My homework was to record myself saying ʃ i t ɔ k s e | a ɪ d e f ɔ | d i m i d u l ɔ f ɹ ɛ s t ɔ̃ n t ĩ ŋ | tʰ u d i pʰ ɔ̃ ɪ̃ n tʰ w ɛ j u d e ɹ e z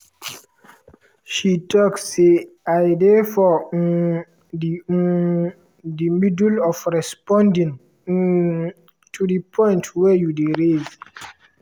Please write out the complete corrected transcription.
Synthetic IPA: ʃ i t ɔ k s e | a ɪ d e f ɔ | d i m i d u l ɔ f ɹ ɛ s p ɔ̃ n d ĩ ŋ | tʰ u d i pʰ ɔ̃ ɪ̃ n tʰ w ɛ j u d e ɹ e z